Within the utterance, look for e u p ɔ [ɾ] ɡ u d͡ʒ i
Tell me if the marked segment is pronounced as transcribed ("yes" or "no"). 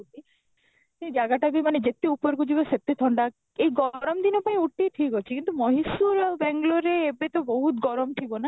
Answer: yes